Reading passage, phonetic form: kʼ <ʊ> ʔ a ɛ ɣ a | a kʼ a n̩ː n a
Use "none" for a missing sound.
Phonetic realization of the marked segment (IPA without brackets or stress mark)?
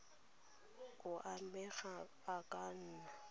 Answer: ʊ